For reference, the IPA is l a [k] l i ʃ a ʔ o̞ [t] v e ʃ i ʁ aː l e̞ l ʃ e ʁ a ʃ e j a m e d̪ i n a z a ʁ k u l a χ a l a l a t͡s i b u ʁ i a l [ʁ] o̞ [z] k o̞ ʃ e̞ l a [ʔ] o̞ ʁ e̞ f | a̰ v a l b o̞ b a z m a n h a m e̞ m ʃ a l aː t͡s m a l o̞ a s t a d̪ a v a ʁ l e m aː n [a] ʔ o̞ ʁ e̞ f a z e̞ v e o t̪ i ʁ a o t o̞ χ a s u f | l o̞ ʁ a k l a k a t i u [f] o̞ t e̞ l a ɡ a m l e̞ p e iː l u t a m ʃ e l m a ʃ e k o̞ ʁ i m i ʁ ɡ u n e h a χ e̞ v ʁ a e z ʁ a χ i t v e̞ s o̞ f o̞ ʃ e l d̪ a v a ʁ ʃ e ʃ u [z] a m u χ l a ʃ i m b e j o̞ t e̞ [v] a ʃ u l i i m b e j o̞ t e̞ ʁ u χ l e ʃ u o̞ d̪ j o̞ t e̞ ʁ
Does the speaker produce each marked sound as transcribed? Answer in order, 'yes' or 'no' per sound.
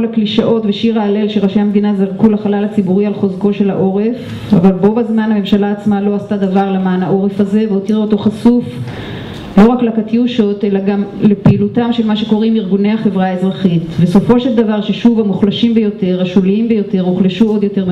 yes, yes, no, yes, yes, yes, no, no, no

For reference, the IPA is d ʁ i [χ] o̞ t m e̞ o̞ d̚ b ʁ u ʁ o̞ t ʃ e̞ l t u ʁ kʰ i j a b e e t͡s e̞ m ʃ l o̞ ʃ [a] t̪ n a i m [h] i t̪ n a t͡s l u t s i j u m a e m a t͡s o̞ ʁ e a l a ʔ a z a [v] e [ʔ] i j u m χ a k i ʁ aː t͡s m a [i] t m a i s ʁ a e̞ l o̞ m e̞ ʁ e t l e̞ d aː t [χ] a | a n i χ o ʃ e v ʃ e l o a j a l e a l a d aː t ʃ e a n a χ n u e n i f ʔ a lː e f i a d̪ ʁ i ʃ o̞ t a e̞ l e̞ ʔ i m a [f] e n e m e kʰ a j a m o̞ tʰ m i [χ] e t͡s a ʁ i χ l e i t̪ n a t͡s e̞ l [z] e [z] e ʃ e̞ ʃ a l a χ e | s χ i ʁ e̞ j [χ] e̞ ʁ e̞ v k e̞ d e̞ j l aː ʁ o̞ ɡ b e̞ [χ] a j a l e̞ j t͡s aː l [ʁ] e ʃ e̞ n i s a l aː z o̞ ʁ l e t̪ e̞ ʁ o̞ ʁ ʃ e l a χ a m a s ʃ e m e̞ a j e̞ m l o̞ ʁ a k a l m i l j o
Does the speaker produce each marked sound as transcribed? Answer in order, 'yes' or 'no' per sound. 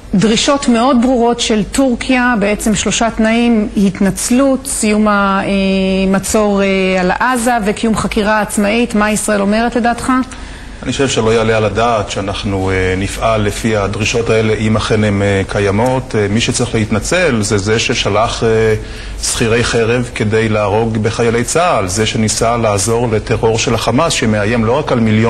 no, yes, yes, yes, no, yes, yes, no, no, yes, yes, yes, yes, no

